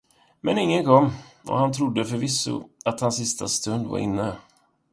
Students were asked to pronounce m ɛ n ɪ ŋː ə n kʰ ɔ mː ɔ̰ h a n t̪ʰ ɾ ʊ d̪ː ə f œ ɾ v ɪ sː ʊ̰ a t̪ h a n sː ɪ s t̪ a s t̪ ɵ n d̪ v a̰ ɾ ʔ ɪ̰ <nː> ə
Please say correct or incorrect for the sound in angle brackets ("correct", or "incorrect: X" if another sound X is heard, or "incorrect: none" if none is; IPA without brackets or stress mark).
correct